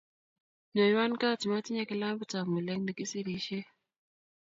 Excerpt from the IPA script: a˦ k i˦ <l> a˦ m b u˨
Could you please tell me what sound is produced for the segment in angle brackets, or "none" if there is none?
l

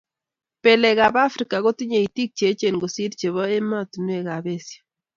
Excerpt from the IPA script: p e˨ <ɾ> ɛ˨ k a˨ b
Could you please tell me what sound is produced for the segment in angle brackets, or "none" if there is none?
l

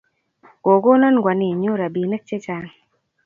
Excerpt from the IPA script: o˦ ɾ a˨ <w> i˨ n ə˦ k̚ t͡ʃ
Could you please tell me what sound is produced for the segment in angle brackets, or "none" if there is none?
b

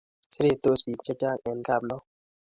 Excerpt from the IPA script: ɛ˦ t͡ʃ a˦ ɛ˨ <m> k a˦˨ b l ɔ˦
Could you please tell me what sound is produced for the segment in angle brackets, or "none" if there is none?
n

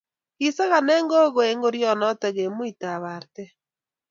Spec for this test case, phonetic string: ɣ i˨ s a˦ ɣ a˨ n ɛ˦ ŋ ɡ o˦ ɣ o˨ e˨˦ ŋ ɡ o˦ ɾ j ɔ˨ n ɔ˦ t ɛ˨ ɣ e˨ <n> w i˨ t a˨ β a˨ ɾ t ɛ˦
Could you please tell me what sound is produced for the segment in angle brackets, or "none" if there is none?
m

